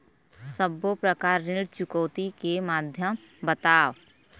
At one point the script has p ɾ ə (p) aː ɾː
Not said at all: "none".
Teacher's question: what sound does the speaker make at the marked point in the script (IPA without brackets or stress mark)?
k